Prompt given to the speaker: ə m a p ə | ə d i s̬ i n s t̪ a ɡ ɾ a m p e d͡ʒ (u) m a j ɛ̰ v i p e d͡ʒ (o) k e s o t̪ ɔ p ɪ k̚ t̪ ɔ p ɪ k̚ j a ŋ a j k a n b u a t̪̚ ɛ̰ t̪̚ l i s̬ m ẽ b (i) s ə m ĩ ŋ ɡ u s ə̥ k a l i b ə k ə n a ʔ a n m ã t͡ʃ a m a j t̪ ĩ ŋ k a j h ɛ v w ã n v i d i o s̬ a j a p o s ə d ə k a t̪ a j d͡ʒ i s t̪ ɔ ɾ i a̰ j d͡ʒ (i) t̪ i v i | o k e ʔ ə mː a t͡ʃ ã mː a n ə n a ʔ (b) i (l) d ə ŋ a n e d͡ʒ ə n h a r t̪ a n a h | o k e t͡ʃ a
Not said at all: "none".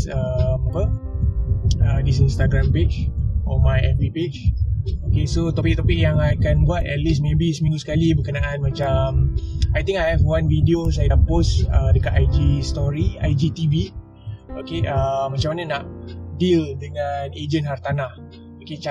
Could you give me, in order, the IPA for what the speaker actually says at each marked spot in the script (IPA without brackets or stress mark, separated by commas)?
ɔ, o, i, i, d, l